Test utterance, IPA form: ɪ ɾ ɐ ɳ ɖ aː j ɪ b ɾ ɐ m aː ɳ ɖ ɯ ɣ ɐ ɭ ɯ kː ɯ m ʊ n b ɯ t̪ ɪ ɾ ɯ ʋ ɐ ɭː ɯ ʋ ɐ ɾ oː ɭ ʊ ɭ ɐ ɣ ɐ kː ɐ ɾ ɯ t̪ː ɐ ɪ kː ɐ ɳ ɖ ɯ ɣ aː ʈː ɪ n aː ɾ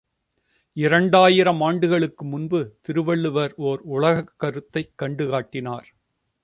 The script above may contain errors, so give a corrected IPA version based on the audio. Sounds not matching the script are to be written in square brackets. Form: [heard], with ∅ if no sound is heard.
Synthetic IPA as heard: ɪ ɾ ɐ ɳ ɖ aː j ɪ [∅] ɾ ɐ m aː ɳ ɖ ɯ ɣ ɐ ɭ ɯ kː ɯ m ʊ n b ɯ t̪ ɪ ɾ ɯ ʋ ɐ ɭː ɯ ʋ ɐ ɾ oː [ɾ] ʊ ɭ ɐ ɣ ɐ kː ɐ ɾ ɯ t̪ː ɐ ɪ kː ɐ ɳ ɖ ɯ ɣ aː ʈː ɪ n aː ɾ